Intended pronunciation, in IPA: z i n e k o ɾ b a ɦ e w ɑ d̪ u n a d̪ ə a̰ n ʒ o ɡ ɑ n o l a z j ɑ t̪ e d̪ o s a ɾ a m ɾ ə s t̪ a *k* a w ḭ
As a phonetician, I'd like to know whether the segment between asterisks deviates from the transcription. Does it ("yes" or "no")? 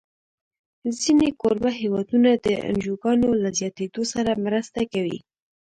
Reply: no